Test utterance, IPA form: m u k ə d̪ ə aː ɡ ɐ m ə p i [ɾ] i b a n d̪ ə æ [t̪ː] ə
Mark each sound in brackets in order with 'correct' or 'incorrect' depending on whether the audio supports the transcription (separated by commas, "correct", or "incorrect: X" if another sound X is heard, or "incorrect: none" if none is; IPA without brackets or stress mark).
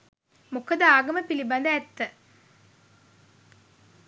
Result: incorrect: l, correct